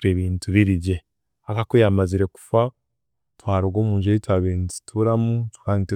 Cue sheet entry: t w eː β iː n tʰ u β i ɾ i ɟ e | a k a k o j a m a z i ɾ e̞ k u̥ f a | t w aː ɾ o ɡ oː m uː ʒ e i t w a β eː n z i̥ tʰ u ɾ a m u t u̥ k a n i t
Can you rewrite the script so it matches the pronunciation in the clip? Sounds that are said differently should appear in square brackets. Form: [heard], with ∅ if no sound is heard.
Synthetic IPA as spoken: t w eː β iː n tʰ u β i ɾ i ɟ e | a k a k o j a m a z i ɾ e̞ k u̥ f a | t w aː ɾ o ɡ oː m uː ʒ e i t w a β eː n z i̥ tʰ u ɾ a m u t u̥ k a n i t